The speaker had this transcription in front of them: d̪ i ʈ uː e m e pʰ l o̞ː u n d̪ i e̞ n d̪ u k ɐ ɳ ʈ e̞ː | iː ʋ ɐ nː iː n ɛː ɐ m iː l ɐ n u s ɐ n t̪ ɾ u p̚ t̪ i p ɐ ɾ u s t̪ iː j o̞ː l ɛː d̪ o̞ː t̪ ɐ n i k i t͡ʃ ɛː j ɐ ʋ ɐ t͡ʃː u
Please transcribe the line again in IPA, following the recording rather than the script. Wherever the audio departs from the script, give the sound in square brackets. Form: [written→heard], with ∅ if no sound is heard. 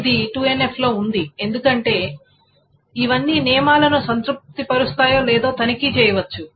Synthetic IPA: d̪ i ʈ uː e [m→n] e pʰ l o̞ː u n d̪ i e̞ n d̪ u k ɐ ɳ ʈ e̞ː | [iː→i] ʋ ɐ nː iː n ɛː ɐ m [iː→aː] l ɐ n u s ɐ n t̪ ɾ u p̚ t̪ i p ɐ ɾ u s t̪ [iː→aː] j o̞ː l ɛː d̪ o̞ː t̪ ɐ n i k i t͡ʃ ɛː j ɐ ʋ ɐ t͡ʃː u

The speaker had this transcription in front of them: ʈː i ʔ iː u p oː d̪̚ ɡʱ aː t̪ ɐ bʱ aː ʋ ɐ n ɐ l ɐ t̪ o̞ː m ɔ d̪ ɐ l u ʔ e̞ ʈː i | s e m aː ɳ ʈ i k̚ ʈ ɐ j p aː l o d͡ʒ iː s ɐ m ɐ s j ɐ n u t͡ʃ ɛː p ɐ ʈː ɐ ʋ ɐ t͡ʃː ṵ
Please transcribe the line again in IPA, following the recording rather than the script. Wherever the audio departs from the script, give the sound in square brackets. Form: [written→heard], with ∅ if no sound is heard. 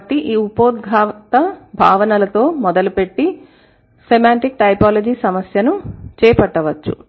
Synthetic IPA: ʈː i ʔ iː u p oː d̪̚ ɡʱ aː t̪ ɐ bʱ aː ʋ ɐ n ɐ l ɐ t̪ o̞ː m ɔ d̪ ɐ l u [ʔ→p] e̞ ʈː i | s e m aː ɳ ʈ i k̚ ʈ ɐ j p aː l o d͡ʒ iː s ɐ m ɐ s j ɐ n u t͡ʃ ɛː p ɐ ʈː ɐ ʋ ɐ t͡ʃː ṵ

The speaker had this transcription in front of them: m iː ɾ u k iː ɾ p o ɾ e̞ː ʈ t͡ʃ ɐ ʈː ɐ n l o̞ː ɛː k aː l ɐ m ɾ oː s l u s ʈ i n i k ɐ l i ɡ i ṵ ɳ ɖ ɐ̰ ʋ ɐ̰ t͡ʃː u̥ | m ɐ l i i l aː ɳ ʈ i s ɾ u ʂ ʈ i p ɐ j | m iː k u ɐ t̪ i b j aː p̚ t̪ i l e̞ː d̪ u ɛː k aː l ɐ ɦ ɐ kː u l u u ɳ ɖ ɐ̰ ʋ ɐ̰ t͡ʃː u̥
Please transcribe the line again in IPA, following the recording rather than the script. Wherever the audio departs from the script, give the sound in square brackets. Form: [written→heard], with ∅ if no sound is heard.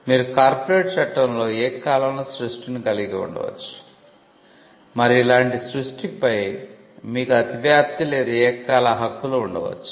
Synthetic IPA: m iː ɾ u k [iː→aː] ɾ p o ɾ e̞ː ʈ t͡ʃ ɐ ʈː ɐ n l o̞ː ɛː k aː l ɐ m [ɾ→l] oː s [l→ɾ] u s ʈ i n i k ɐ l i ɡ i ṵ ɳ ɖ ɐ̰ ʋ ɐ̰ t͡ʃː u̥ | m ɐ [l→ɾ] i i l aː ɳ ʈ i s ɾ u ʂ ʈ i p ɐ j | m iː k u ɐ t̪ i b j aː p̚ t̪ i l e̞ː d̪ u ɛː k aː l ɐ ɦ ɐ kː u l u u ɳ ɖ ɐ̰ ʋ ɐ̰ t͡ʃː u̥

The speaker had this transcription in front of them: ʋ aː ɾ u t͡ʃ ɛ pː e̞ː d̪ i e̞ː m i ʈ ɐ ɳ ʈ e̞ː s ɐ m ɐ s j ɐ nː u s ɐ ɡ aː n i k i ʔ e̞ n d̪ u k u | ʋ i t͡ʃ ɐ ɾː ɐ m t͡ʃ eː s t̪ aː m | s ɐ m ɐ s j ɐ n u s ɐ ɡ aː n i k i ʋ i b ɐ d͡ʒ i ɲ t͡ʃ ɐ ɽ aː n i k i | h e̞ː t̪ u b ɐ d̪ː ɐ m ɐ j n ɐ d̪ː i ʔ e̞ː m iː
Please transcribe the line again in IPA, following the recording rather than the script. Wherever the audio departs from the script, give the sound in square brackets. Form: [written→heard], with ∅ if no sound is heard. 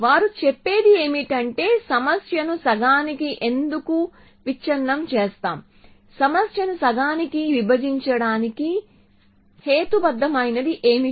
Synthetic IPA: ʋ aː ɾ u t͡ʃ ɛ pː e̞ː d̪ i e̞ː m i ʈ ɐ ɳ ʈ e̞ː s ɐ m ɐ s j ɐ [nː→n] u s ɐ ɡ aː n i k i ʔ e̞ n d̪ u k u | ʋ i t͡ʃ ɐ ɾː ɐ m t͡ʃ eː s t̪ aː m | s ɐ m ɐ s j ɐ n u s ɐ ɡ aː n i k i ʋ i b ɐ d͡ʒ i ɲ t͡ʃ ɐ ɽ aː n i k i | h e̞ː t̪ u b ɐ d̪ː ɐ m ɐ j n ɐ [d̪ː→d̪] i ʔ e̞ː m [iː→i]

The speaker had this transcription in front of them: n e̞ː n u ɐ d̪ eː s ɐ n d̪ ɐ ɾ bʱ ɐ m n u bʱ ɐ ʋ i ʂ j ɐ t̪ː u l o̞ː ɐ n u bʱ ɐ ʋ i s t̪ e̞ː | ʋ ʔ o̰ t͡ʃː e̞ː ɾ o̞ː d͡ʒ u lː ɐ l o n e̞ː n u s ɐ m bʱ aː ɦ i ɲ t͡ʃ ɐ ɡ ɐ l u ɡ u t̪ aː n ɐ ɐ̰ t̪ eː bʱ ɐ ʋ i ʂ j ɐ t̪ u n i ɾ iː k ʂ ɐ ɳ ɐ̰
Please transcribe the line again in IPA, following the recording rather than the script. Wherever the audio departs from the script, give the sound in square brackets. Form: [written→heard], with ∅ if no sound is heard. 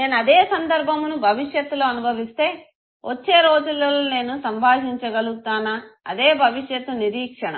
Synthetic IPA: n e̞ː n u ɐ d̪ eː s ɐ n d̪ ɐ ɾ bʱ ɐ m n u bʱ ɐ ʋ i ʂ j ɐ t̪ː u l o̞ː ɐ n u bʱ ɐ ʋ i s t̪ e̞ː | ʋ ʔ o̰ t͡ʃː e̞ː ɾ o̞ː d͡ʒ u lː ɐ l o n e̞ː n u s ɐ m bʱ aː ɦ i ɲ t͡ʃ ɐ ɡ ɐ l u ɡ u t̪ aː n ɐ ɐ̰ [t̪→d̪] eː bʱ ɐ ʋ i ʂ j ɐ t̪ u n i ɾ iː k ʂ ɐ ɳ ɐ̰

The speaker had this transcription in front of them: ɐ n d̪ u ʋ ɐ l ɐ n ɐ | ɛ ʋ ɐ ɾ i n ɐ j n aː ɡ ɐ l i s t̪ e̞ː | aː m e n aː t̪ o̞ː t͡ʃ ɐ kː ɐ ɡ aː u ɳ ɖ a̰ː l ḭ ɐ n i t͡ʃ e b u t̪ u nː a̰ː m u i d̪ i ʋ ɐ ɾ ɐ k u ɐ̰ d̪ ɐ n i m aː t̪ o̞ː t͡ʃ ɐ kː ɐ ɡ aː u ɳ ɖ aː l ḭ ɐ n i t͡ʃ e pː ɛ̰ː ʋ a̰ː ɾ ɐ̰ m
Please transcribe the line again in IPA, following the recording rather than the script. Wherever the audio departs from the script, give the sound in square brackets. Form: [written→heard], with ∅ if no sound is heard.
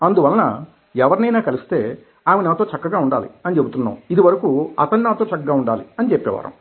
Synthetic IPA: ɐ n d̪ u ʋ ɐ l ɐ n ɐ | ɛ ʋ ɐ ɾ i n ɐ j n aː [ɡ→k] ɐ l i s t̪ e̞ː | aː m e n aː t̪ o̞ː t͡ʃ ɐ kː ɐ ɡ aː u ɳ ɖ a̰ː l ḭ ɐ n i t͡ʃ e b u t̪ u nː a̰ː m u i d̪ i ʋ ɐ ɾ ɐ k u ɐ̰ [d̪→t̪] ɐ n i [m→n] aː t̪ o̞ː t͡ʃ ɐ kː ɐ ɡ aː u ɳ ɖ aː l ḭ ɐ n i t͡ʃ e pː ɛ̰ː ʋ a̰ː ɾ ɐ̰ m

